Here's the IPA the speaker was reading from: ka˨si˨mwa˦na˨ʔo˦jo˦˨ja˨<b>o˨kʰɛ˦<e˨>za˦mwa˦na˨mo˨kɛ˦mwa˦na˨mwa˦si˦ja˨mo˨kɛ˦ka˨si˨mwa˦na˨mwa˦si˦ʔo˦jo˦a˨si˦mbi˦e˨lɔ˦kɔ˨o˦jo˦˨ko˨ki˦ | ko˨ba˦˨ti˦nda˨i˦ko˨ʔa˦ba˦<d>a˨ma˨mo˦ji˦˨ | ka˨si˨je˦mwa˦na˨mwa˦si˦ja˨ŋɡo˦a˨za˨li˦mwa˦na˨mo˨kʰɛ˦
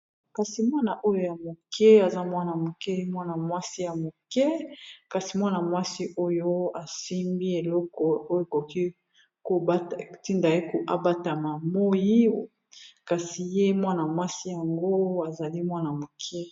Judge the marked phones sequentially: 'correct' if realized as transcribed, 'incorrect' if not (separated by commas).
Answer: incorrect, incorrect, incorrect